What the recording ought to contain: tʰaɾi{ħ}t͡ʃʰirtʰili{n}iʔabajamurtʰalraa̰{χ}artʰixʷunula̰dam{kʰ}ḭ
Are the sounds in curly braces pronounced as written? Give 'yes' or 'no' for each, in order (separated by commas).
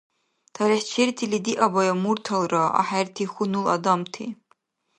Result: yes, no, no, no